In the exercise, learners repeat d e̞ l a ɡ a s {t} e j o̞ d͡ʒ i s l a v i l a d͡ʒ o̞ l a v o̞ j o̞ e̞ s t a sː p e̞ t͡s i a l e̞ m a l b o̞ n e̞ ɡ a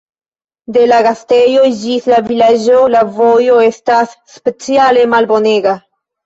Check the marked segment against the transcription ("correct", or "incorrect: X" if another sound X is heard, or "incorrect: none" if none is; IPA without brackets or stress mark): correct